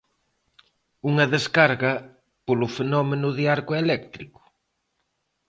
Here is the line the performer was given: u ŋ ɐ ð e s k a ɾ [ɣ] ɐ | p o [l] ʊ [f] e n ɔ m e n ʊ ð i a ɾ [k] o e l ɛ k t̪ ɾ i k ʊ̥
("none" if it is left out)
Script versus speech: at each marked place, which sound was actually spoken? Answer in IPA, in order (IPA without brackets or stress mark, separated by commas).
ɣ, l, f, k